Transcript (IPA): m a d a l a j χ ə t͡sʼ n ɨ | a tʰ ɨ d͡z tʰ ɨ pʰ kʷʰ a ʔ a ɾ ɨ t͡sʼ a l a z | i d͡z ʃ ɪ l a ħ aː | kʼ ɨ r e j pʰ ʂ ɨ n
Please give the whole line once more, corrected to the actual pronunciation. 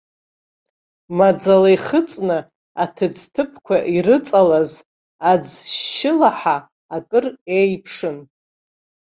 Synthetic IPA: m a d͡z a l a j χ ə t͡sʼ n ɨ | a tʰ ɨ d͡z tʰ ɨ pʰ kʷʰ a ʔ i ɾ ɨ t͡sʼ a l a z | a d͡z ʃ ɪ l a ħ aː | kʼ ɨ r e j pʰ ʂ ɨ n